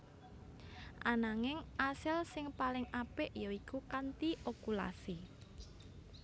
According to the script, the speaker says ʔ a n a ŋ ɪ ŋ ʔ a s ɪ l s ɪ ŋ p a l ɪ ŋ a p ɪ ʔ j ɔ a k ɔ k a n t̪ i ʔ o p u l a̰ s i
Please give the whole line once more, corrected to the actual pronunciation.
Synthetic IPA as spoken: ʔ a n a ŋ ɪ ŋ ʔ a s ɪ l s ɪ ŋ p a l ɪ ŋ a p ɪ ʔ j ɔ i k u k a n t̪ i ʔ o k u l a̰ s i